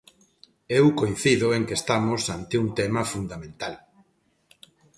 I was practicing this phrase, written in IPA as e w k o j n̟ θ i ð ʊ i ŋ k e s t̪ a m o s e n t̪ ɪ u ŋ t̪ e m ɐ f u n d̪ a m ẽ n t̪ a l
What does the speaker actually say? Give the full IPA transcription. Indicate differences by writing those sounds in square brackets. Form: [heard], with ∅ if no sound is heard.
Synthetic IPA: e w k o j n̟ θ i ð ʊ [e] ŋ k e s t̪ a m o s [a] n t̪ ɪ u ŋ t̪ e m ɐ f u n d̪ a m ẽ n t̪ a l